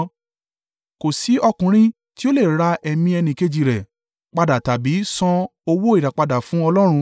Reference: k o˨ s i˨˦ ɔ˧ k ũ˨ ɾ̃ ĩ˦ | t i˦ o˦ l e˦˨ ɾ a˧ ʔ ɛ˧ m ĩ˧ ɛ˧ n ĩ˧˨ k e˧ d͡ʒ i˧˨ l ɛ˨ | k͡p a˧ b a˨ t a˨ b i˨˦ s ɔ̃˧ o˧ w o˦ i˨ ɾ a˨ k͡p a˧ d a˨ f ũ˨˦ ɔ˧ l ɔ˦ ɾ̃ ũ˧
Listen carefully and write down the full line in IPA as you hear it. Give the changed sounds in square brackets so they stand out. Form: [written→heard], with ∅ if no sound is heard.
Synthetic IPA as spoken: k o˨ s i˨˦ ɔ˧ k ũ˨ ɾ̃ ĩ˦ | t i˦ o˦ l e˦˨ ɾ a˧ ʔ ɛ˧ m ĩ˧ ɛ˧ n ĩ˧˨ k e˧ d͡ʒ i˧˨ [l→ɾ] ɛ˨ | k͡p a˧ [b→d] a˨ t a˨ b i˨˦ s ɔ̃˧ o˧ w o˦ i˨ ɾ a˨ k͡p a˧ d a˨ f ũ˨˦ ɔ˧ l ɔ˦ ɾ̃ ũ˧

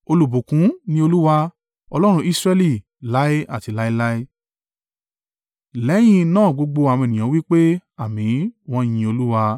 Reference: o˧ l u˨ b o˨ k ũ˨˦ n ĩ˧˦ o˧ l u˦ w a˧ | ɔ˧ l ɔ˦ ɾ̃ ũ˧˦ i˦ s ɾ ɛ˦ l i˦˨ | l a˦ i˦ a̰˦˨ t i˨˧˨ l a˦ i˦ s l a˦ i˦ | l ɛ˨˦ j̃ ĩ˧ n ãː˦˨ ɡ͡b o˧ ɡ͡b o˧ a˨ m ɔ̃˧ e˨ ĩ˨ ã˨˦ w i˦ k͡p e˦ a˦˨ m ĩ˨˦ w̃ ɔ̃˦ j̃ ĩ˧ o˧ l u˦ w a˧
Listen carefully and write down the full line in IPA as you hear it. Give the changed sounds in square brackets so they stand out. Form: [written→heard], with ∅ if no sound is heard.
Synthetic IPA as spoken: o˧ l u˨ b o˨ k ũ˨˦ n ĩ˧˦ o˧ l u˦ w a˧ | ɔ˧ l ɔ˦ ɾ̃ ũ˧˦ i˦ s ɾ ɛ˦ l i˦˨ | l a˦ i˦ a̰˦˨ t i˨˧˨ l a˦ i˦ [s→∅] l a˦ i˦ | l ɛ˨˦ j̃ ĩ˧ n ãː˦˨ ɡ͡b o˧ ɡ͡b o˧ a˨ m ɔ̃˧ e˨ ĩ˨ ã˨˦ w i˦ k͡p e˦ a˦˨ m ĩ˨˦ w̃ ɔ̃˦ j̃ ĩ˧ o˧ l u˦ w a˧

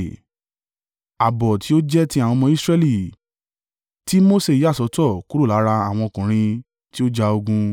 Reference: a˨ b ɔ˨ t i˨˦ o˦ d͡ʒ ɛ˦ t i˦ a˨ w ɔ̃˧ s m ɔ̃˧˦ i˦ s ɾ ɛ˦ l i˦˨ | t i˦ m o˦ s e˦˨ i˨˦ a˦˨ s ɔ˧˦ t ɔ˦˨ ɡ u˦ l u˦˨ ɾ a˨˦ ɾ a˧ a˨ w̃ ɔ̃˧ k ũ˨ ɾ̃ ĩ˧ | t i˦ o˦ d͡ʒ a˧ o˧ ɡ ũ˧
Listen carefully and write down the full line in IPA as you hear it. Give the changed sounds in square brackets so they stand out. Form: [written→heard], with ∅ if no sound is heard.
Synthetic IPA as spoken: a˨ b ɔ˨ t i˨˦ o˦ d͡ʒ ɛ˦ t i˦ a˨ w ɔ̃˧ [s→∅] m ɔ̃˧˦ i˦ s ɾ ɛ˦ l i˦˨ | t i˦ m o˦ s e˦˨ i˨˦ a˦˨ s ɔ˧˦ t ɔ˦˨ [ɡ→k] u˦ [l→ɾ] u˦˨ [ɾ→l] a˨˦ ɾ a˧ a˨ w̃ ɔ̃˧ k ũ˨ ɾ̃ ĩ˧ | t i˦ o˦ d͡ʒ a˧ o˧ ɡ ũ˧

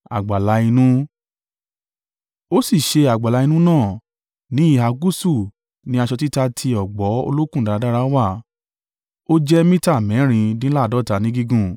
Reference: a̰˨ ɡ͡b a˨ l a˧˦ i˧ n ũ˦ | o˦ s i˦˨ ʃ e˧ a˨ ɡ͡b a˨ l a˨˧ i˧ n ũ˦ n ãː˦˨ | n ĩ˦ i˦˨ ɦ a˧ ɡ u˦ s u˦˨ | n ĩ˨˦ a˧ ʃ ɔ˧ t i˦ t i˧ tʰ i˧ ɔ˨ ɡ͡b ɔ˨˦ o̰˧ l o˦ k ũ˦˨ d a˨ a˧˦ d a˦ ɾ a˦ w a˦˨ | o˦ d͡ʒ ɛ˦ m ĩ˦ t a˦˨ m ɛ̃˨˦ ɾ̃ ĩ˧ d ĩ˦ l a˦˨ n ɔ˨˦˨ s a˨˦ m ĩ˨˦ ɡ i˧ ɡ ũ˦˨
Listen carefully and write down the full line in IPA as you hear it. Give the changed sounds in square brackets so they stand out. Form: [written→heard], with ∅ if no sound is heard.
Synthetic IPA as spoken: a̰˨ ɡ͡b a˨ l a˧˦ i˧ n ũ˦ | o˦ s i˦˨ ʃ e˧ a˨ ɡ͡b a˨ l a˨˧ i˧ n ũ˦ n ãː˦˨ | n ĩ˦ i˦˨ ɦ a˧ ɡ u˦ s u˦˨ | n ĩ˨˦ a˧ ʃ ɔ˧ t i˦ t [i˧→a˧] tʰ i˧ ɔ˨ ɡ͡b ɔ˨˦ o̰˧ l o˦ k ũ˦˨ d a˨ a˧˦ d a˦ ɾ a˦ w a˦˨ | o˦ d͡ʒ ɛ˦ m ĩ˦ t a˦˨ m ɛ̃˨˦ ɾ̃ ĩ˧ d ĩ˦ l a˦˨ [n→d] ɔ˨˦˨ [s→t] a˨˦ [m→n] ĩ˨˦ ɡ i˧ ɡ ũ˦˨

